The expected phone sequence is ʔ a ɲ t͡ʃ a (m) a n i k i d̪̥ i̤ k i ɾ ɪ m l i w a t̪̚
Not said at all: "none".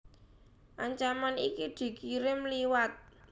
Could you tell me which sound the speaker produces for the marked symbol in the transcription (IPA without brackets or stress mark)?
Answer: m